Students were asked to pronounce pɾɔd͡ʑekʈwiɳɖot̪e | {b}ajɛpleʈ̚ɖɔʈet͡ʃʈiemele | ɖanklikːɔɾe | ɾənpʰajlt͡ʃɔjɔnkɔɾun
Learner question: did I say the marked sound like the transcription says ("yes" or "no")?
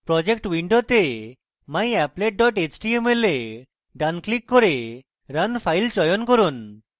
no